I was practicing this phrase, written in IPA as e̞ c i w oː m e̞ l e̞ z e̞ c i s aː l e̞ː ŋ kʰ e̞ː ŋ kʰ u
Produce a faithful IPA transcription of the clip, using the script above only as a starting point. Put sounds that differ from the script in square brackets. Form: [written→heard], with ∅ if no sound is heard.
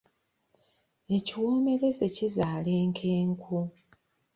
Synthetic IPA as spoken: e̞ c i w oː m e̞ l e̞ z e̞ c i [s→z] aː l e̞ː ŋ kʰ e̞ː ŋ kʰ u